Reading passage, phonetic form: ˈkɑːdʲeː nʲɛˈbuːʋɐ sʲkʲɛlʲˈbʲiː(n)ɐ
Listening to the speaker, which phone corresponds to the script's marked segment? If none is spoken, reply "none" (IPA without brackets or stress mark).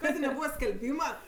m